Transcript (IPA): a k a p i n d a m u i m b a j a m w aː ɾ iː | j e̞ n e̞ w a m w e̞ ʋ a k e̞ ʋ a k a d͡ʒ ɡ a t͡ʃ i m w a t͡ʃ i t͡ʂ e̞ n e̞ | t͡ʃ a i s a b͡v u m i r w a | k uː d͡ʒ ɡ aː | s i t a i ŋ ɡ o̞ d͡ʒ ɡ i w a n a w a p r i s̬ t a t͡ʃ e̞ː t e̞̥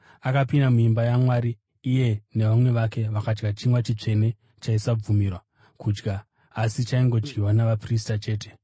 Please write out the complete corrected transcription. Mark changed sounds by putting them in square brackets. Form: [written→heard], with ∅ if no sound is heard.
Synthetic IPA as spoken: a k a p i n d a m u i m b a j a m w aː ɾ iː | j e̞ n e̞ [w→ʋ] a m w e̞ ʋ a k e̞ ʋ a k a d͡ʒ ɡ a t͡ʃ i m w a t͡ʃ i t͡ʂ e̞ n e̞ | t͡ʃ a i s a b͡v u m i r w a | k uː d͡ʒ ɡ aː | s i [t→t͡ʃ] a i ŋ ɡ o̞ d͡ʒ ɡ i w a n a [w→ʋ] a p r i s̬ t a t͡ʃ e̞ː t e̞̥